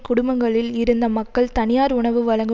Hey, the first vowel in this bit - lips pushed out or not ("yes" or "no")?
yes